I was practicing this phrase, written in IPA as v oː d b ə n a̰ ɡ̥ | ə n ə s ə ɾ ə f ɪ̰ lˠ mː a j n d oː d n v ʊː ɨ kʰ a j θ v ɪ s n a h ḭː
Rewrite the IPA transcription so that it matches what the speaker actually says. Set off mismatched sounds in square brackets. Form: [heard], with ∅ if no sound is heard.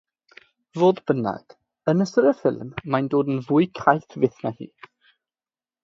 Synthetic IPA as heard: v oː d b ə n a̰ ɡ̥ | ə n ə s ə ɾ ə f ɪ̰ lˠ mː a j n d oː d n v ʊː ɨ kʰ a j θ v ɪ [θ] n a h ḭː